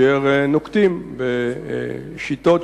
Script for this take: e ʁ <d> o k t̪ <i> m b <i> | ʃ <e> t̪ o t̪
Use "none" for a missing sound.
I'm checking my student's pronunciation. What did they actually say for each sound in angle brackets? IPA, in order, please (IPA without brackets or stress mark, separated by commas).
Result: n, i, e, i